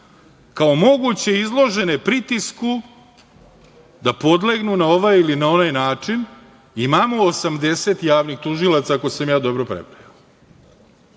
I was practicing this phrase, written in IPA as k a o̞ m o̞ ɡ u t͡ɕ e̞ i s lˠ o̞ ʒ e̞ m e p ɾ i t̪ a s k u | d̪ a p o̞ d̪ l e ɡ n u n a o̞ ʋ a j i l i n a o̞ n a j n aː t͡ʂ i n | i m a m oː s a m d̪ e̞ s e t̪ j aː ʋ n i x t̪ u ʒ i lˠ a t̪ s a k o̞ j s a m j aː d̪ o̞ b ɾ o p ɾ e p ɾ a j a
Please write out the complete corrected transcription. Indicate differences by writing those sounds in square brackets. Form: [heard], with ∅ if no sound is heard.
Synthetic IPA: k a o̞ m o̞ ɡ u t͡ɕ e̞ i [z] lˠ o̞ ʒ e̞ [n] e p ɾ i t̪ [i] s k u | d̪ a p o̞ d̪ l e ɡ n u n a o̞ ʋ a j i l i n a o̞ n a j n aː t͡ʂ i n | i m a m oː s a m d̪ e̞ s e t̪ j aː ʋ n i x t̪ u ʒ i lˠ a t̪ s a k o̞ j s a m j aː d̪ o̞ b ɾ o p ɾ e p ɾ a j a

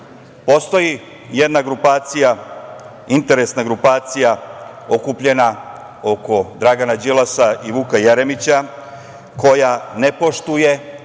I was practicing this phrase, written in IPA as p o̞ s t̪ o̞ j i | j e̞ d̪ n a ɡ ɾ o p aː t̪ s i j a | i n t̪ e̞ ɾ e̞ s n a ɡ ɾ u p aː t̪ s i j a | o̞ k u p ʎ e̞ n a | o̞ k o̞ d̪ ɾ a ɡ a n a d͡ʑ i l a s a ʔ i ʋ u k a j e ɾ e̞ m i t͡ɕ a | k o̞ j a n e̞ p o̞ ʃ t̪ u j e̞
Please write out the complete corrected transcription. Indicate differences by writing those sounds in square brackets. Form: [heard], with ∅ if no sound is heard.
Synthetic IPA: p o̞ s t̪ o̞ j i | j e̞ d̪ n a ɡ ɾ [u] p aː t̪ s i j a | i n t̪ e̞ ɾ e̞ s n a ɡ ɾ u p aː t̪ s i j a | o̞ k u p ʎ e̞ n a | o̞ k o̞ d̪ ɾ a ɡ a n a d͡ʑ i l a s a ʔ i ʋ u k a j e ɾ e̞ m i t͡ɕ a | k o̞ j a n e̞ p o̞ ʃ t̪ u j e̞

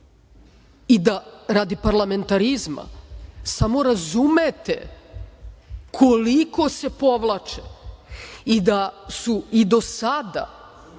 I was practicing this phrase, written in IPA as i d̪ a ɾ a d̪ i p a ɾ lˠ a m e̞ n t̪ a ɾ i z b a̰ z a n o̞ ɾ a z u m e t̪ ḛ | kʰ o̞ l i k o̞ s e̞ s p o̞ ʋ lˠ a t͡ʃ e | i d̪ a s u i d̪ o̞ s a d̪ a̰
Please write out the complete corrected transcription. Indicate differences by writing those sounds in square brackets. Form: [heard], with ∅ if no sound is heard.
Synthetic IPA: i d̪ a ɾ a d̪ i p a ɾ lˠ a m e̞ n t̪ a ɾ i z [m] a̰ [s] a [m] o̞ ɾ a z u m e t̪ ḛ | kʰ o̞ l i k o̞ s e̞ [∅] p o̞ ʋ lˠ a t͡ʃ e | i d̪ a s u i d̪ o̞ s a d̪ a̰

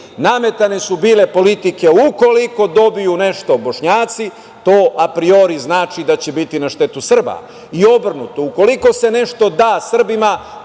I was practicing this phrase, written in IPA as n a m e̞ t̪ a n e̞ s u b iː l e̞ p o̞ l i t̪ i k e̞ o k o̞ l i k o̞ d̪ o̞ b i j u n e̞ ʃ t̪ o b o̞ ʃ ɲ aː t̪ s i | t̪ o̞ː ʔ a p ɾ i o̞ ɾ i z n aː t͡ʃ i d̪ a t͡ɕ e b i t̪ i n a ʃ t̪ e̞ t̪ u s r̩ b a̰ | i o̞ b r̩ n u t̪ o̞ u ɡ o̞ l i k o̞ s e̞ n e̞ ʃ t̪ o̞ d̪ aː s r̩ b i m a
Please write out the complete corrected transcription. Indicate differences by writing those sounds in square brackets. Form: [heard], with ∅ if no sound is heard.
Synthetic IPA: n a m e̞ t̪ a n e̞ s u b iː l e̞ p o̞ l i t̪ i k e̞ [u] k o̞ l i k o̞ d̪ o̞ b i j u n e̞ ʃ t̪ o b o̞ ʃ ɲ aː t̪ s i | t̪ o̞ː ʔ a p ɾ i o̞ ɾ i z n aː t͡ʃ i d̪ a t͡ɕ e b i t̪ i n a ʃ t̪ e̞ t̪ u s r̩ b a̰ | i o̞ b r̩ n u t̪ o̞ u [k] o̞ l i k o̞ s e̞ n e̞ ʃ t̪ o̞ d̪ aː s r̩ b i m a

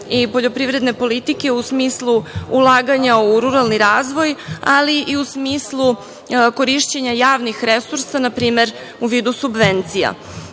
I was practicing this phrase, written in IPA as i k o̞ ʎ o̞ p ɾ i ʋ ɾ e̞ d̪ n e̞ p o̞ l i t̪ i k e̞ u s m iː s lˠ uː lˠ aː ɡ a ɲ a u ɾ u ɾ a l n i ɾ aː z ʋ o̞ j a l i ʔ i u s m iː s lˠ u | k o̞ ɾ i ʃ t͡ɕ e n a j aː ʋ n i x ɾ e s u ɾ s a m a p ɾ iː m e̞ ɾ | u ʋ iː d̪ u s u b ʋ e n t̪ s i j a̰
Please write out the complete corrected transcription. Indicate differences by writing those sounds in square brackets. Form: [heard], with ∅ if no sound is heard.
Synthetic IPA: i [p] o̞ ʎ o̞ p ɾ i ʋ ɾ e̞ d̪ n e̞ p o̞ l i t̪ i k e̞ u s m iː s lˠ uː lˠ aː ɡ a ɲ a u ɾ u ɾ a l n i ɾ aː z ʋ o̞ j a l i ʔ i u s m iː s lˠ u | k o̞ ɾ i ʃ t͡ɕ e [ɲ] a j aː ʋ n i x ɾ e s u ɾ s a [n] a p ɾ iː m e̞ ɾ | u ʋ iː d̪ u s u b ʋ e n t̪ s i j a̰

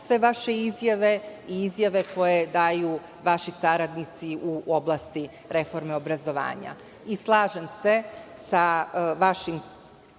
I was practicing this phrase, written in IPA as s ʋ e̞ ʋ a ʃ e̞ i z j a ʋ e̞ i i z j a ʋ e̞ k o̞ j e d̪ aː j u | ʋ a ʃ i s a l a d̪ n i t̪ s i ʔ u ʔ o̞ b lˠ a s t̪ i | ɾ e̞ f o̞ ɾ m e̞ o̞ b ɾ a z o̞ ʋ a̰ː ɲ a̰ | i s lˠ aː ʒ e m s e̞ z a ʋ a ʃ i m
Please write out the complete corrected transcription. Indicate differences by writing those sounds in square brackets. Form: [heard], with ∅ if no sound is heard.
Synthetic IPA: s ʋ e̞ ʋ a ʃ e̞ i z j a ʋ e̞ i i z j a ʋ e̞ k o̞ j e d̪ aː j u | ʋ a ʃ i s a [ɾ] a d̪ n i t̪ s i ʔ u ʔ o̞ b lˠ a s t̪ i | ɾ e̞ f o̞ ɾ m e̞ o̞ b ɾ a z o̞ ʋ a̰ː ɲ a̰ | i s lˠ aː ʒ e m s e̞ [s] a ʋ a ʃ i m

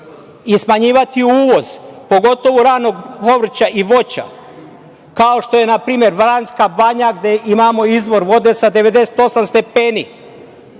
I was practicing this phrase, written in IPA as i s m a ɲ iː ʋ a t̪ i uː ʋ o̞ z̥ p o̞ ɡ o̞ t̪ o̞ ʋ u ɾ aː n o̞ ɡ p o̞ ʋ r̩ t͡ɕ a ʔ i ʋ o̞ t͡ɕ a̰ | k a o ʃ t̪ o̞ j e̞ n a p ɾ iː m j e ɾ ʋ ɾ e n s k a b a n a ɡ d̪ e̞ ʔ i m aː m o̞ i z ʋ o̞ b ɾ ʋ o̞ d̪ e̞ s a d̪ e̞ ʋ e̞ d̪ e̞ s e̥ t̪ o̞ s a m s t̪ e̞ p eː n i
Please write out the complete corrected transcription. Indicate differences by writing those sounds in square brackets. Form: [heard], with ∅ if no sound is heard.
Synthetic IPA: i s m a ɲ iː ʋ a t̪ i uː ʋ o̞ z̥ p o̞ ɡ o̞ t̪ o̞ ʋ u ɾ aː n o̞ ɡ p o̞ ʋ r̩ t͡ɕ a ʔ i ʋ o̞ t͡ɕ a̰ | k a o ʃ t̪ o̞ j e̞ n a p ɾ iː m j e ɾ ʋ ɾ [a] n s k a b a [ɲ] a ɡ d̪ e̞ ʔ i m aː m o̞ i z ʋ o̞ [∅] ɾ ʋ o̞ d̪ e̞ s a d̪ e̞ ʋ e̞ d̪ e̞ s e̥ t̪ o̞ s a m s t̪ e̞ p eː n i

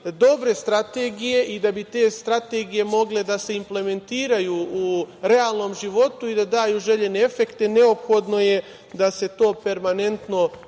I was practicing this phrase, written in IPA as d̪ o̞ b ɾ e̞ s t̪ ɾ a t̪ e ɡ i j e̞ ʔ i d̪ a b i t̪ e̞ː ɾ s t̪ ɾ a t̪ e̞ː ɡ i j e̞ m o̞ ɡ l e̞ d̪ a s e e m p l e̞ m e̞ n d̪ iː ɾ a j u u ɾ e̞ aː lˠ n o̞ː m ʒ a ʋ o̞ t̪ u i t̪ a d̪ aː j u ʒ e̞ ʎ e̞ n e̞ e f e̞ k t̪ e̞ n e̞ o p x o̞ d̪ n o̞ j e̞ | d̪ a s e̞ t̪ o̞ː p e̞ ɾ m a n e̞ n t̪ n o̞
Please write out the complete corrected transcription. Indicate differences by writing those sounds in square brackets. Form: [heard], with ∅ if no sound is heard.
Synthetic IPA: d̪ o̞ b ɾ e̞ s t̪ ɾ a t̪ e ɡ i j e̞ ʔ i d̪ a b i t̪ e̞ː [∅] s t̪ ɾ a t̪ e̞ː ɡ i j e̞ m o̞ ɡ l e̞ d̪ a s e [i] m p l e̞ m e̞ n [t̪] iː ɾ a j u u ɾ e̞ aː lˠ n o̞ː m ʒ [i] ʋ o̞ t̪ u i [d̪] a d̪ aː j u ʒ e̞ ʎ e̞ n e̞ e f e̞ k t̪ e̞ n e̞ o p x o̞ d̪ n o̞ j e̞ | d̪ a s e̞ t̪ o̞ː p e̞ ɾ m a n e̞ n t̪ n o̞

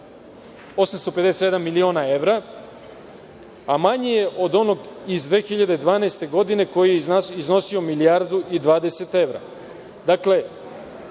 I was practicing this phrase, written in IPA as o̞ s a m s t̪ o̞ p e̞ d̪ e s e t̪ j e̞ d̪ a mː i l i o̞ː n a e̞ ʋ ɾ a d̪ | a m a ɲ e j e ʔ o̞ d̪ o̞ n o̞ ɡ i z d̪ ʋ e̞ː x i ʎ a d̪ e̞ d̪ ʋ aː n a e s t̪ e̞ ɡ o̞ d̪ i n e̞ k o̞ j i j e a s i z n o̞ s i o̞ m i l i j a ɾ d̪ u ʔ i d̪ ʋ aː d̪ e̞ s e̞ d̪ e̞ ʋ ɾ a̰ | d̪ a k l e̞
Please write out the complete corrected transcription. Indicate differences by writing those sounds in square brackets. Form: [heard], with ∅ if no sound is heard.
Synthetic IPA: o̞ s a m s t̪ o̞ p e̞ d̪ e s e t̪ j e̞ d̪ a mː i l i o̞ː n a e̞ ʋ ɾ a [∅] | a m a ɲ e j e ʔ o̞ d̪ o̞ n o̞ ɡ i z d̪ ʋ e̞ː x i ʎ a d̪ e̞ d̪ ʋ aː n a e s t̪ e̞ ɡ o̞ d̪ i n e̞ k o̞ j i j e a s i z n o̞ s i o̞ m i l i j a ɾ d̪ u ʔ i d̪ ʋ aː d̪ e̞ s e̞ [t̪] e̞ ʋ ɾ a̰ | d̪ a k l e̞

